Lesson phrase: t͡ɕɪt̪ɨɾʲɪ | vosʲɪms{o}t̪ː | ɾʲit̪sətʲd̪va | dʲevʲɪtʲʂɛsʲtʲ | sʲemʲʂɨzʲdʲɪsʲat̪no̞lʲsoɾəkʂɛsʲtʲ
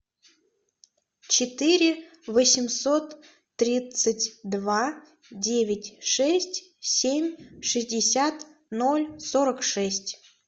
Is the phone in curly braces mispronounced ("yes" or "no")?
no